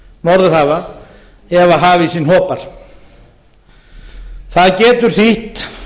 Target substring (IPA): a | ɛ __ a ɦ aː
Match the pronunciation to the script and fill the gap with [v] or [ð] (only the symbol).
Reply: v